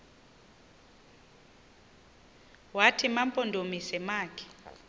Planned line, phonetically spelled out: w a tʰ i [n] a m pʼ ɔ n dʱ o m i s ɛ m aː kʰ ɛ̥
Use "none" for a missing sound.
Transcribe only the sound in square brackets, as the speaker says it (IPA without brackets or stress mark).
m